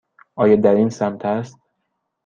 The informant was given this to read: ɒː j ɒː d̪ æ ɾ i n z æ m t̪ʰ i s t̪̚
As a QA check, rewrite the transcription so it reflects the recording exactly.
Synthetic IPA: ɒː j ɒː d̪ æ ɾ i n s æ m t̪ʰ æ s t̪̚